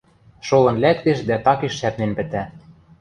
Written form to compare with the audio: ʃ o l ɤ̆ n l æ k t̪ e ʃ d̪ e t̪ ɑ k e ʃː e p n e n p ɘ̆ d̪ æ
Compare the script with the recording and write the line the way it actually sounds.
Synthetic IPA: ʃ o l ɤ̆ n l æ k t̪ e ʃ d̪ æ t̪ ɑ k e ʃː æ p n e n p ɘ̆ t̪ æ